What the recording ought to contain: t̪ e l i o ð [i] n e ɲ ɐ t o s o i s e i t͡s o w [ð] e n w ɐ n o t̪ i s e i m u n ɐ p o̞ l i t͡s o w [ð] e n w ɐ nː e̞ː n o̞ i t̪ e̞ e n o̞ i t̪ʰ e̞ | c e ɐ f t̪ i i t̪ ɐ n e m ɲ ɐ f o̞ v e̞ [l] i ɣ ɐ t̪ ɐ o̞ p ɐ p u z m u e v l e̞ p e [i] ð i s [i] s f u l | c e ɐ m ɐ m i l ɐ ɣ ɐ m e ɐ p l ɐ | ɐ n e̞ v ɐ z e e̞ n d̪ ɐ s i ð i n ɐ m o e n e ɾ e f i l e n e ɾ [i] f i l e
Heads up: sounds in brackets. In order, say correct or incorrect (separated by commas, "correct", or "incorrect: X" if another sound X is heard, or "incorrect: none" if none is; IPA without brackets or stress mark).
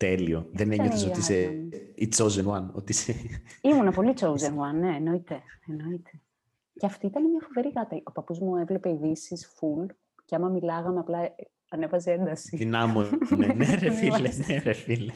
incorrect: e, incorrect: z, incorrect: z, incorrect: ɾ, correct, correct, incorrect: e